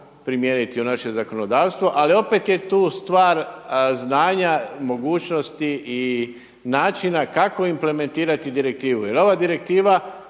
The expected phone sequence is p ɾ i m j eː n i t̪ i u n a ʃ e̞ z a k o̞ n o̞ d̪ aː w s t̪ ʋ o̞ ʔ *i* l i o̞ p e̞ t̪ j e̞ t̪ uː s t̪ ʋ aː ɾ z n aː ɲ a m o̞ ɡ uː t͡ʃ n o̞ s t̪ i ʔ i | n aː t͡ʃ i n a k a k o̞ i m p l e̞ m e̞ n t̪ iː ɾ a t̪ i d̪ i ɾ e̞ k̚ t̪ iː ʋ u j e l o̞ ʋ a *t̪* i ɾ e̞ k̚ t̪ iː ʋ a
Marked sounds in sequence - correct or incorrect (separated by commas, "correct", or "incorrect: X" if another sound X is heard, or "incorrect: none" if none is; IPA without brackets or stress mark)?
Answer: incorrect: a, incorrect: d̪